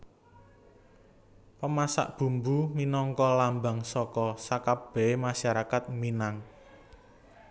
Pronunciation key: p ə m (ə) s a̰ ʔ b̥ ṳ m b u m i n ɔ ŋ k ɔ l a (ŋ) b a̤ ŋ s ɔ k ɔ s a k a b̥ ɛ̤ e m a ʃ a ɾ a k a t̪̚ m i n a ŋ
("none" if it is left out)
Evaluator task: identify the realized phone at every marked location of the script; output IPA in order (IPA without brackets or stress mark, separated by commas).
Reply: a, m